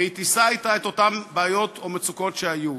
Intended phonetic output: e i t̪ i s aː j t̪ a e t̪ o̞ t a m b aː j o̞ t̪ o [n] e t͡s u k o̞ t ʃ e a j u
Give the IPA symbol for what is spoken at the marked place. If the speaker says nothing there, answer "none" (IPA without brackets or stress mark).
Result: m